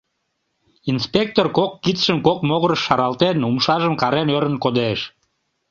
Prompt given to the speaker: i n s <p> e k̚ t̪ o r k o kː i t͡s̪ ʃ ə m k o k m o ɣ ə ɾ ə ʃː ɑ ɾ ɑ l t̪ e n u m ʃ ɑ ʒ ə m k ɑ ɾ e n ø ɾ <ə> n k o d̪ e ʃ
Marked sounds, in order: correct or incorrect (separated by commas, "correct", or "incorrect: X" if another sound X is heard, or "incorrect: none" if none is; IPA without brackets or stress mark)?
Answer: correct, correct